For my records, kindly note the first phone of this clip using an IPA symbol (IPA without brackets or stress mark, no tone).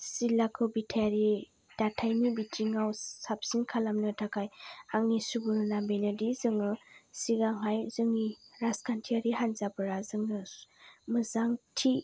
s